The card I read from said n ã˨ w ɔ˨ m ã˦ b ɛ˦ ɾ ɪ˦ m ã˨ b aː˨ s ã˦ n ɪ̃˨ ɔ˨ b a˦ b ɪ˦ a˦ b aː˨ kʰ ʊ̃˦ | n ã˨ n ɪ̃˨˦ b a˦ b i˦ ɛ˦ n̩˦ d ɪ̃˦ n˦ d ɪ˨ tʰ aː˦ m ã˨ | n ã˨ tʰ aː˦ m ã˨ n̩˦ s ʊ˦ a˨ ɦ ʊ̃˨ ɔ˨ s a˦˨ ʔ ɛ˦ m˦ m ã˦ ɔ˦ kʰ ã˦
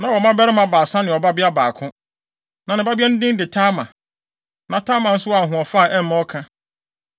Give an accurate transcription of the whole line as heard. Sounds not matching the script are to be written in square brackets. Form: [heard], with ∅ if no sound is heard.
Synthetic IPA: n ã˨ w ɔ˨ m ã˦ b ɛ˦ ɾ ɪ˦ m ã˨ b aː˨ s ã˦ n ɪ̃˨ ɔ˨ b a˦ b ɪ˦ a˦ b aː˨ kʰ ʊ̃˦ | n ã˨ n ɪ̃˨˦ b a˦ b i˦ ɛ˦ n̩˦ d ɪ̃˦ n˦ d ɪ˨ tʰ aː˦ m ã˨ | n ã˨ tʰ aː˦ m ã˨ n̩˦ s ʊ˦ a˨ ɦ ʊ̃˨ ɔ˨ [f] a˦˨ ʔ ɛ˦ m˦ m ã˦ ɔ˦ kʰ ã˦